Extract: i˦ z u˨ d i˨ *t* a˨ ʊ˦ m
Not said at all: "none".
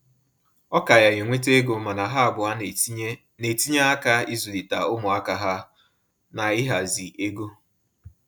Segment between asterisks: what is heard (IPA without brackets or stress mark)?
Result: t